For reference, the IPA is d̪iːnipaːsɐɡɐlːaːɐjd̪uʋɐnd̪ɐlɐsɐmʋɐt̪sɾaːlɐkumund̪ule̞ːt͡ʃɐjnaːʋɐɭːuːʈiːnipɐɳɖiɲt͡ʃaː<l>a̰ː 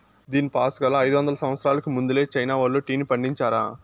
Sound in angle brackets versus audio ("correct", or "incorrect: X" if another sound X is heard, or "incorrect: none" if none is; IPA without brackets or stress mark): incorrect: ɾ